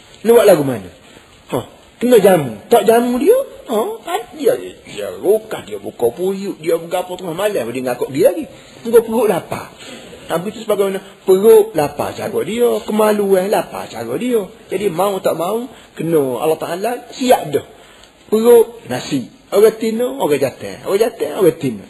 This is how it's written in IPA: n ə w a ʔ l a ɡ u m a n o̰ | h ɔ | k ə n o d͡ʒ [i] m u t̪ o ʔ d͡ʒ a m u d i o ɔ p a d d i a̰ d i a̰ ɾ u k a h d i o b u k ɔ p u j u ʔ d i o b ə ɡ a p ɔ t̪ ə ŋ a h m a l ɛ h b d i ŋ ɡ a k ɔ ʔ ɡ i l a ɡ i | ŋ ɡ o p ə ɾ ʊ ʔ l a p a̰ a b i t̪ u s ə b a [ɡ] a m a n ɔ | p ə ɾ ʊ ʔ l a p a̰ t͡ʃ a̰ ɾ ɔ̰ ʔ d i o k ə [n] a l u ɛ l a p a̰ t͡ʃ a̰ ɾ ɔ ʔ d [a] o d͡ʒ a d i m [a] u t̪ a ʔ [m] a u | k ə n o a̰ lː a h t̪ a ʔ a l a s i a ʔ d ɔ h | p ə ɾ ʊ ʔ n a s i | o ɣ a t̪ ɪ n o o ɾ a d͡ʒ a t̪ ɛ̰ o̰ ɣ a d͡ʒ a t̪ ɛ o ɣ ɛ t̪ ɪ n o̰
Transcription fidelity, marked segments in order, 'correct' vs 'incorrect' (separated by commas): incorrect, correct, incorrect, incorrect, correct, correct